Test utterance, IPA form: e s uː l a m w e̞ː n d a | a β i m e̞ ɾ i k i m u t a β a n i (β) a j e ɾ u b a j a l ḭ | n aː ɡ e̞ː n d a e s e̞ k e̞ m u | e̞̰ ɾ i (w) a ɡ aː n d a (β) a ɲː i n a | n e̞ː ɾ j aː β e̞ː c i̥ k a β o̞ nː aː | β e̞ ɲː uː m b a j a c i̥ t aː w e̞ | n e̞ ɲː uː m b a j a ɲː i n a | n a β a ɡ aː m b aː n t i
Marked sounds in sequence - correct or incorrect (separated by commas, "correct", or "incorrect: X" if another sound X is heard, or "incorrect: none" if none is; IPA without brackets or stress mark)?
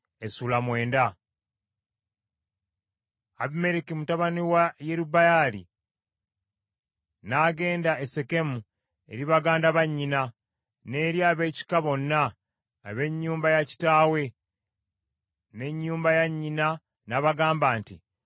incorrect: w, incorrect: β, correct